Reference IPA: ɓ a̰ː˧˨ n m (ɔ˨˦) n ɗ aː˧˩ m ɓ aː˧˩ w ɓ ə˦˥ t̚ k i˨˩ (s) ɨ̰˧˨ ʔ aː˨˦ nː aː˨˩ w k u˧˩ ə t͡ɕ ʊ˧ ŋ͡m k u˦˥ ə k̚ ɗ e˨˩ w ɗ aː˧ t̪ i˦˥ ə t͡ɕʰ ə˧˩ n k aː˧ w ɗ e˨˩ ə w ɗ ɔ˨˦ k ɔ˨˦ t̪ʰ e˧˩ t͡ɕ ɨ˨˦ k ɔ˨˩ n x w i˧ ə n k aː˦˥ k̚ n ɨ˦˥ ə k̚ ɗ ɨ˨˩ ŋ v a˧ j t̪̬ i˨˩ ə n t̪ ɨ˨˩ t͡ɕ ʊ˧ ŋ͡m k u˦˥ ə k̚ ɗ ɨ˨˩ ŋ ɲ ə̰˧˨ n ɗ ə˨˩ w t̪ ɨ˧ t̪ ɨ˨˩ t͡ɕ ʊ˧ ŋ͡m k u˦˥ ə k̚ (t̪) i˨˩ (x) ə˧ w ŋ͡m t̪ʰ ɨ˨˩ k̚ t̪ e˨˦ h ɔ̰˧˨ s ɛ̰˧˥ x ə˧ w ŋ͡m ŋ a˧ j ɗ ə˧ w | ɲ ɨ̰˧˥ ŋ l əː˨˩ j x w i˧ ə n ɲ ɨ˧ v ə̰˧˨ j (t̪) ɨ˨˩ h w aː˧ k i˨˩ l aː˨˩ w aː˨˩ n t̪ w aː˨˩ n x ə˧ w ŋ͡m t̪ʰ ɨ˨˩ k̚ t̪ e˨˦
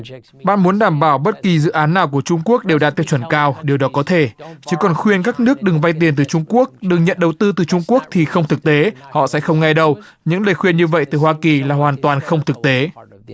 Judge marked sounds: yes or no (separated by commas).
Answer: no, no, no, yes, yes